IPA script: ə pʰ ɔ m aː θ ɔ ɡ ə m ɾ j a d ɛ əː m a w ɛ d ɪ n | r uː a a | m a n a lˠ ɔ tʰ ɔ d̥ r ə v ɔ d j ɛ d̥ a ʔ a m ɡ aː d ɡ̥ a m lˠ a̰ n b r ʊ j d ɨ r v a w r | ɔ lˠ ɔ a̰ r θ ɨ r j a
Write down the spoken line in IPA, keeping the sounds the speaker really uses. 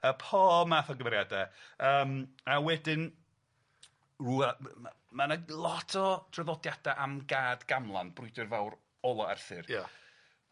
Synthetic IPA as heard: ə pʰ ɔ m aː θ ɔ ɡ ə m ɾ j a d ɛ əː m a w ɛ d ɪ n | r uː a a | m a n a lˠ ɔ tʰ ɔ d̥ r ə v ɔ d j a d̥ a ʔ a m ɡ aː d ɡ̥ a m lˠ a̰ n b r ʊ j d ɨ r v a w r | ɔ lˠ ɔ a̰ r θ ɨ r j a